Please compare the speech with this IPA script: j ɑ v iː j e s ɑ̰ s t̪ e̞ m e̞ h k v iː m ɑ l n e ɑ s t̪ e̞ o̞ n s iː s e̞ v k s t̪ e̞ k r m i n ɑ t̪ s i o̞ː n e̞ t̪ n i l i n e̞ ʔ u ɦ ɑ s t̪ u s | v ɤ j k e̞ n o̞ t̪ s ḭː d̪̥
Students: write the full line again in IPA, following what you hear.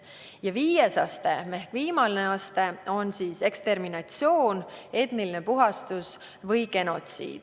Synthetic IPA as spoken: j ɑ v iː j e s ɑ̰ s t̪ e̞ m e̞ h k v iː m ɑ l n e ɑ s t̪ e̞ o̞ n s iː s e̞ k s t̪ e̞ r m i n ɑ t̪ s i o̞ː n e̞ t̪ n i l i n e̞ p u ɦ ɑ s t̪ u s | v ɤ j k e̞ n o̞ t̪ s ḭː d̪̥